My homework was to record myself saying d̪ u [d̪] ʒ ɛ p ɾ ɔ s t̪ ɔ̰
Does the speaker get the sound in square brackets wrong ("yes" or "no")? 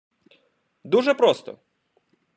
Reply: yes